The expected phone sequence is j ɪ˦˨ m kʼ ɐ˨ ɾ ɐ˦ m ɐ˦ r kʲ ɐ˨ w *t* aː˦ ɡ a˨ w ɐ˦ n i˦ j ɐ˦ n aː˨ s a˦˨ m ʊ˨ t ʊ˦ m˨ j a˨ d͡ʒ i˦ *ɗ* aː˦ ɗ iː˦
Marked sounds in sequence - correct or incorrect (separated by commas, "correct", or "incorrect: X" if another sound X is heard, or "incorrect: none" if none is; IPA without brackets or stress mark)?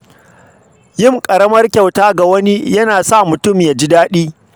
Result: correct, incorrect: d